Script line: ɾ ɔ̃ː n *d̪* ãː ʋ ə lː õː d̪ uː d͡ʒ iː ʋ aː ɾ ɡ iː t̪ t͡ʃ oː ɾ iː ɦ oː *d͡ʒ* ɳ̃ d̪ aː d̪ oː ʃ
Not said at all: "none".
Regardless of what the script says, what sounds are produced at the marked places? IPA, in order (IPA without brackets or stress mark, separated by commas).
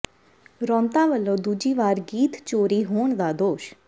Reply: t̪, none